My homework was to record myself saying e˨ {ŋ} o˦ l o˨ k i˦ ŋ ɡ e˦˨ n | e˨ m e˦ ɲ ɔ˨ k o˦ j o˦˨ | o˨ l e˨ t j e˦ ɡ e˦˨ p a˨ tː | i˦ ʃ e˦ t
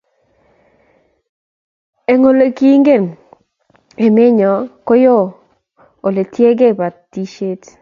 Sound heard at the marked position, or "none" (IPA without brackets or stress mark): ŋ